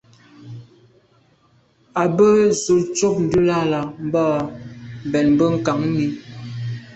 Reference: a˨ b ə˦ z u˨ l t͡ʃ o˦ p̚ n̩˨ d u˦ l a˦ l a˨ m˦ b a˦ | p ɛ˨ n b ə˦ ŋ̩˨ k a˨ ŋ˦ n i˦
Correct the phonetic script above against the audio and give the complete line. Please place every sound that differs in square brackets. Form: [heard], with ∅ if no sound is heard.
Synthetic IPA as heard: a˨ b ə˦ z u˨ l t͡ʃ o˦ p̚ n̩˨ d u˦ l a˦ l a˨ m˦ b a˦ | [b] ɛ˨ n b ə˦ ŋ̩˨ k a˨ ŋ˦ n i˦